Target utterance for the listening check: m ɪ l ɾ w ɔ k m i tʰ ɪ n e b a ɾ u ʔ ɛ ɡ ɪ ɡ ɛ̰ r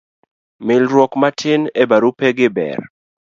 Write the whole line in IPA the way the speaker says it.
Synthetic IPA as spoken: m ɪ l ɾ w ɔ k m a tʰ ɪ n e b a ɾ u p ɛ ɡ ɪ b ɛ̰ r